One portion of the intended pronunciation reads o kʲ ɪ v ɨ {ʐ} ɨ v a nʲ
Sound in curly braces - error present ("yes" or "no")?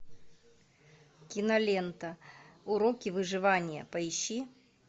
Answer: no